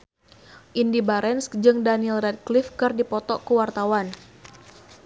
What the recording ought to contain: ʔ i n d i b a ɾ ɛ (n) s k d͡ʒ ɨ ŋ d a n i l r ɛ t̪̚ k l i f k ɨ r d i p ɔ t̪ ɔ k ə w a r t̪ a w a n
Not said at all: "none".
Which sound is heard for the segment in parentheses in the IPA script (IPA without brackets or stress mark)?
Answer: n